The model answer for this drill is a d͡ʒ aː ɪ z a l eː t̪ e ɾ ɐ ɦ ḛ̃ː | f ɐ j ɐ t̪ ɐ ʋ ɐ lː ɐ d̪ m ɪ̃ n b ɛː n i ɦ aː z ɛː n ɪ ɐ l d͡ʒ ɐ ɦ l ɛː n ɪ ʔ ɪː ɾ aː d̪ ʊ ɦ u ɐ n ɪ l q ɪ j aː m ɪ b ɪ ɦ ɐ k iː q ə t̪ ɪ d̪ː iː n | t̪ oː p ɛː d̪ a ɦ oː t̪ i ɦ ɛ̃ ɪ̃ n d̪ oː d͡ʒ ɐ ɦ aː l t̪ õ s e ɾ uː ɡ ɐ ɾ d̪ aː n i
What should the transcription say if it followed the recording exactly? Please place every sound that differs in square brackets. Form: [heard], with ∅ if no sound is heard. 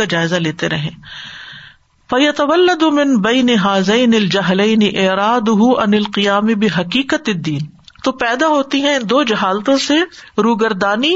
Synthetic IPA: a d͡ʒ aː ɪ z a l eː t̪ e ɾ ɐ ɦ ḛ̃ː | f ɐ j ɐ t̪ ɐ ʋ ɐ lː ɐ d̪ m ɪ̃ n b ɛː n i ɦ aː z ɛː n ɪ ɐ l d͡ʒ ɐ ɦ l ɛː n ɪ ʔ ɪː ɾ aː d̪ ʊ ɦ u ɐ n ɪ l q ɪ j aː m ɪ b ɪ ɦ ɐ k iː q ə t̪ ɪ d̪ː iː n | t̪ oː p ɛː d̪ a ɦ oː t̪ i ɦ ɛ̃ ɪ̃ n d̪ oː d͡ʒ ɐ ɦ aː l t̪ õ s e ɾ uː ɡ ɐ ɾ d̪ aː n i